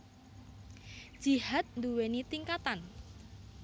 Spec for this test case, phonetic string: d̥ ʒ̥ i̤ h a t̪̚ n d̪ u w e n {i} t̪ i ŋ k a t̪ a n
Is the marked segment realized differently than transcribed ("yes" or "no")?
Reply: no